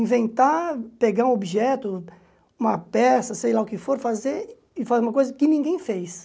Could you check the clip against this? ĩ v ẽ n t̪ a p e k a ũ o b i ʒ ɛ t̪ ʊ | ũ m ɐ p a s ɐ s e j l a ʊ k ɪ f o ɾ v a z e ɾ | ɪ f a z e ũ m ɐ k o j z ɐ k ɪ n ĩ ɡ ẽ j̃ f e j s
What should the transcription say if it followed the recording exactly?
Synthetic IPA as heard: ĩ v ẽ n t̪ a p e ɡ a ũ o b i ʒ ɛ t̪ ʊ | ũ m ɐ p ɛ s ɐ s e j l a ʊ k ɪ f o ɾ f a z e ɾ | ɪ f a z e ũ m ɐ k o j z ɐ k ɪ n ĩ ɡ ẽ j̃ f e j s